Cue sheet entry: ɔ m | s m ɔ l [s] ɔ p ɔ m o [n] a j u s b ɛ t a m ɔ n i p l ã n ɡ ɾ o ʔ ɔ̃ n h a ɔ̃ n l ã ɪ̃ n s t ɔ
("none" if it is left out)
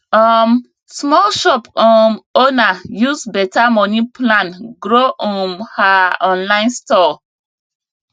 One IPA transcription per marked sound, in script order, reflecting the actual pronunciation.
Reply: ʃ, n

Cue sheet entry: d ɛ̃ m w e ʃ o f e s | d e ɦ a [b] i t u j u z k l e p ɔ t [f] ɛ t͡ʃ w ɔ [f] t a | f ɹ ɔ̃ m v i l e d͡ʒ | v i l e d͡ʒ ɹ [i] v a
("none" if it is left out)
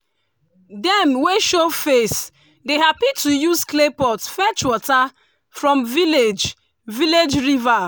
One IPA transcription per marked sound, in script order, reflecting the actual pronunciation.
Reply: p, f, none, i

